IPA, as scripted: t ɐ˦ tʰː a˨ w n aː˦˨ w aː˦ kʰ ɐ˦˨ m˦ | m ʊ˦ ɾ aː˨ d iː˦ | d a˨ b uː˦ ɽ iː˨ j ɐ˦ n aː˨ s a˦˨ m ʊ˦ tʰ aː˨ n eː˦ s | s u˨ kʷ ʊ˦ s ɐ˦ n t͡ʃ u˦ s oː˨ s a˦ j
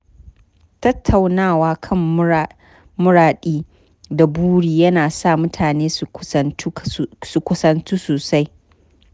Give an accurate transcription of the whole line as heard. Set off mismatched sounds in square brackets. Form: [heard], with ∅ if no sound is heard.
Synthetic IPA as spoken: t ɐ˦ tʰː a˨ w n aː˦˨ w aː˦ kʰ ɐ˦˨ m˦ | m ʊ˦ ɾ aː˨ [ɗ] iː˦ | d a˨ b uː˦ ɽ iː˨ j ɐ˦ n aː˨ s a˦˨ m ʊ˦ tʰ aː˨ n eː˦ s | s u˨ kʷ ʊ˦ s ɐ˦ n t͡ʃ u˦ s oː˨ s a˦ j